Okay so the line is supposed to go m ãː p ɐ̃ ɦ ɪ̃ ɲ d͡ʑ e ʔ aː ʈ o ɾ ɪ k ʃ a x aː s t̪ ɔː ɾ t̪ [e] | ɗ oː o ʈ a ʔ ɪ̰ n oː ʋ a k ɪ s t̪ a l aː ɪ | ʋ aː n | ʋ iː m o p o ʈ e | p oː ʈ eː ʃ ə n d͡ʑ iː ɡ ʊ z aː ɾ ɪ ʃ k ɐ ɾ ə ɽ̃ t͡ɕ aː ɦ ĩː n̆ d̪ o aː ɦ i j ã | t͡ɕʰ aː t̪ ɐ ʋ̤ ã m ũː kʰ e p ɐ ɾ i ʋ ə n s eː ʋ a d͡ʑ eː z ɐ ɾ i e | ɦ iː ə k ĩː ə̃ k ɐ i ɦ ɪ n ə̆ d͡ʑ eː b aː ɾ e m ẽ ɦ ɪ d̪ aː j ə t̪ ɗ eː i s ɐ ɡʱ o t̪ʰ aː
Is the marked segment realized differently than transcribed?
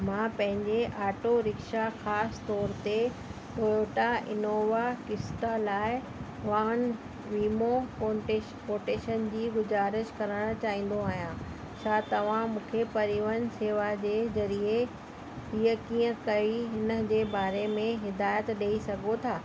no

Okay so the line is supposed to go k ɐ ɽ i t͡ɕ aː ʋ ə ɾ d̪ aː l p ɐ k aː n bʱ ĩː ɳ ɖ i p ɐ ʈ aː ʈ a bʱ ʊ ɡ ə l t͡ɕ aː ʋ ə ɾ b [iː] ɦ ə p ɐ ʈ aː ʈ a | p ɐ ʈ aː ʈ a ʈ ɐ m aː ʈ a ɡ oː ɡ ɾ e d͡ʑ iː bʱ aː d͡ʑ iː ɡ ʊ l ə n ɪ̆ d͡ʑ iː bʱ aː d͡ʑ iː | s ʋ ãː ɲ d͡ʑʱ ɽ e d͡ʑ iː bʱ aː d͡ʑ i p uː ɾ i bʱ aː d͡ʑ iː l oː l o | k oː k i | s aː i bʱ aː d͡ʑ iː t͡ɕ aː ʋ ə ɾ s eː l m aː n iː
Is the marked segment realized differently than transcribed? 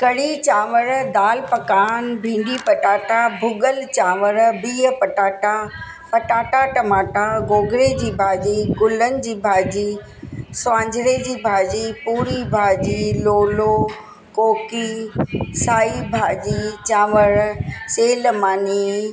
no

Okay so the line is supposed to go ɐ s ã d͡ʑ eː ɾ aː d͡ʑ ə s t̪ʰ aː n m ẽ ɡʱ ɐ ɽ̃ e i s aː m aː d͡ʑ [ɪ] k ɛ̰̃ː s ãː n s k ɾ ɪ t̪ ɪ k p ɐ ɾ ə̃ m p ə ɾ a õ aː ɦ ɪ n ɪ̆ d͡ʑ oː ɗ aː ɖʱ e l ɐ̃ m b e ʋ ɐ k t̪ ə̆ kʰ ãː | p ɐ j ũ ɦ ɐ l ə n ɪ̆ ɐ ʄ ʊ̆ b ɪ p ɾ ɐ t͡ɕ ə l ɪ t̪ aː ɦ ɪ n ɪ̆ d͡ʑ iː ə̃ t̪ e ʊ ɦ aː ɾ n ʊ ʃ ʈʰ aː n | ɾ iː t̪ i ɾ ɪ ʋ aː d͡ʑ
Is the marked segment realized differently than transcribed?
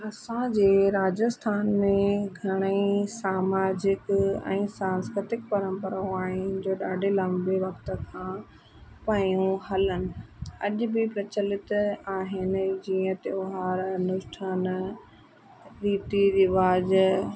no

